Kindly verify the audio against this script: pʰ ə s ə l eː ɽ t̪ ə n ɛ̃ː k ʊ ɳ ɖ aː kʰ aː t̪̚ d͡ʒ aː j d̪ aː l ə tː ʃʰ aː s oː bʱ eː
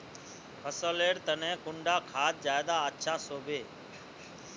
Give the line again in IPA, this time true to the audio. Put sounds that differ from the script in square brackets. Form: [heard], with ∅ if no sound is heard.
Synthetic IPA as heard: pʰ ə s ə l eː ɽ t̪ ə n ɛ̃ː k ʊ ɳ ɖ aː kʰ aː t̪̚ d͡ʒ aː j d̪ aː [∅] ə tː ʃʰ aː s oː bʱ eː